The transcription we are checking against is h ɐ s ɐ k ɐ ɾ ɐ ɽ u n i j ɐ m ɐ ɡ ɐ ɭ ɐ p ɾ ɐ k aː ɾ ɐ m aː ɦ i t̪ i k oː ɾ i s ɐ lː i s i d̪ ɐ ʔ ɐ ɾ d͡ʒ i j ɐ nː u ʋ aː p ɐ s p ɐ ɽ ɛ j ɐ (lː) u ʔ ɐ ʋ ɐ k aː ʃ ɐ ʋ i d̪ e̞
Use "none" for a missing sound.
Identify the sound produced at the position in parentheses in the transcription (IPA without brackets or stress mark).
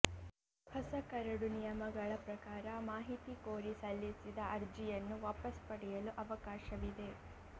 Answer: l